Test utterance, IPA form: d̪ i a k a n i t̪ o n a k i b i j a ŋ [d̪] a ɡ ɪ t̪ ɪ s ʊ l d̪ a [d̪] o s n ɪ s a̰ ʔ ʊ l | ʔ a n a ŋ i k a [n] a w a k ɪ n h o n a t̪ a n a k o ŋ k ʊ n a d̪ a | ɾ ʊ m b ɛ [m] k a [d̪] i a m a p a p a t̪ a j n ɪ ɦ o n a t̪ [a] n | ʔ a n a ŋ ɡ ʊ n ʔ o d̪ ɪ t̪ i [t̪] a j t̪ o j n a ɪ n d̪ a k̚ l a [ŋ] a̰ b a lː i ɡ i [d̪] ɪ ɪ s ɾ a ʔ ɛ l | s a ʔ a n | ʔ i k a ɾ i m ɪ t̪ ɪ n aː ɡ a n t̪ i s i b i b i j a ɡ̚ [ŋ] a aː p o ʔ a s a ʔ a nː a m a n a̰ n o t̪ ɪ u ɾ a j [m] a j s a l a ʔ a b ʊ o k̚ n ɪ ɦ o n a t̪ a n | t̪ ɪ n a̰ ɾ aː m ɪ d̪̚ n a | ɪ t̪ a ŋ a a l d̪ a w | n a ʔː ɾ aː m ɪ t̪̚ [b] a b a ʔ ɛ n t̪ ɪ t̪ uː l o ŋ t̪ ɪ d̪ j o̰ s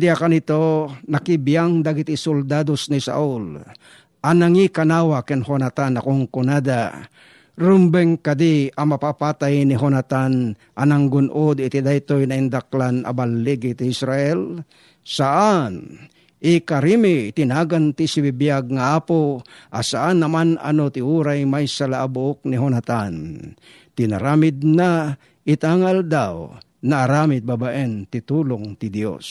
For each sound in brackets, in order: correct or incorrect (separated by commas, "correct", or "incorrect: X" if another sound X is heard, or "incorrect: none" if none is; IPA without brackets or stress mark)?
correct, correct, correct, incorrect: ŋ, correct, correct, incorrect: d̪, incorrect: n, incorrect: t̪, correct, correct, correct